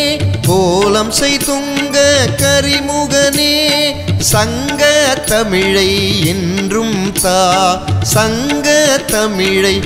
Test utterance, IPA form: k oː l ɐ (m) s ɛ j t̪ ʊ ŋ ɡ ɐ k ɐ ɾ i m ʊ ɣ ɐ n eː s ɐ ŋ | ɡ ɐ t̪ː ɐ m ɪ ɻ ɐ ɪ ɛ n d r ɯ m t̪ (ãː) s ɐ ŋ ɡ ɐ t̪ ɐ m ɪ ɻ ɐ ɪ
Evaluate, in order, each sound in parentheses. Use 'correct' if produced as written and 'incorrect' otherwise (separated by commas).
correct, incorrect